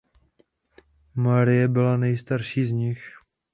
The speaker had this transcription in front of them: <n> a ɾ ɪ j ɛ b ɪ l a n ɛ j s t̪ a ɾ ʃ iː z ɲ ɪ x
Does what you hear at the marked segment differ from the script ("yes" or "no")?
yes